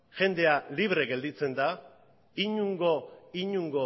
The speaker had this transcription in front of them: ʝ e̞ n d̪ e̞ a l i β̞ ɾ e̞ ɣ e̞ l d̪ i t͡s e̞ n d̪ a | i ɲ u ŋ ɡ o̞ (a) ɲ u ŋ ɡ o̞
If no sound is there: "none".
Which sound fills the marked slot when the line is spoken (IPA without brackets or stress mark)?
i